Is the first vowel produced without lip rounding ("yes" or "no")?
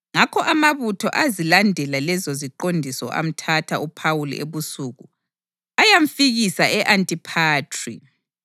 yes